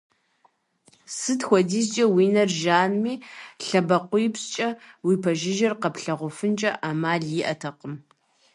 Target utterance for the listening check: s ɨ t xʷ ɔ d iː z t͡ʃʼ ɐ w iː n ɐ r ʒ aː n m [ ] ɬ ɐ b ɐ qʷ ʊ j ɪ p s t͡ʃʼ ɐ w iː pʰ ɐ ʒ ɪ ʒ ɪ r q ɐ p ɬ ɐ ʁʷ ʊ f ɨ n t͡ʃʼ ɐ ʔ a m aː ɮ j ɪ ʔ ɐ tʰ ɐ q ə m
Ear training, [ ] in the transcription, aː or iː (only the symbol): iː